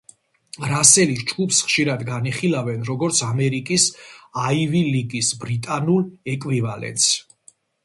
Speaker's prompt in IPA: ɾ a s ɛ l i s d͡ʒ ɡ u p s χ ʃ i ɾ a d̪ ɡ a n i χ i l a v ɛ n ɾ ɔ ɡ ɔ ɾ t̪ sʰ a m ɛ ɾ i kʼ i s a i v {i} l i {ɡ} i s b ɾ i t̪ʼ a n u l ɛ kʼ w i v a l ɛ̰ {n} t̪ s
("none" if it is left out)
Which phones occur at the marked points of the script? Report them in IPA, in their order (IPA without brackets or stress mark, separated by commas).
i, ɡ, n